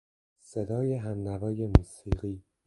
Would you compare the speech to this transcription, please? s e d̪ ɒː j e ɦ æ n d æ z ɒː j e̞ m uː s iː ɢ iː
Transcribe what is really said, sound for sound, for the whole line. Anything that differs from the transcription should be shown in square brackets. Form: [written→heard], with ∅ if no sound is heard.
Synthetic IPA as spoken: s e d̪ ɒː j e ɦ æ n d æ [z→v] ɒː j e̞ m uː s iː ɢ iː